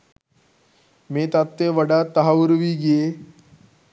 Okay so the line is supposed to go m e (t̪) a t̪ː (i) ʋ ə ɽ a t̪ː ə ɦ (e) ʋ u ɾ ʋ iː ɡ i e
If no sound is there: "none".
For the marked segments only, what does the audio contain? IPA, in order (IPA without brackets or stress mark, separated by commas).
t̪, e, a